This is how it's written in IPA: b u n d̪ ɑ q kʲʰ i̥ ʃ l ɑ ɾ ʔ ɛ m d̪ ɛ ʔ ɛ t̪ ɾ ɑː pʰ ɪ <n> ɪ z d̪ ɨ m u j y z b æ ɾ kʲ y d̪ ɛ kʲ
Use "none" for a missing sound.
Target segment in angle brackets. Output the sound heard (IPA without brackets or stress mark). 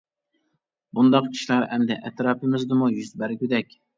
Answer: m